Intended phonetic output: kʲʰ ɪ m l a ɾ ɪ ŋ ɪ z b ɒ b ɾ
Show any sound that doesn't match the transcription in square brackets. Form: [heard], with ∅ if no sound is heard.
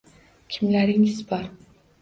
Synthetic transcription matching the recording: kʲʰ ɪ m l a ɾ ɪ ŋ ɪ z b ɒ [∅] ɾ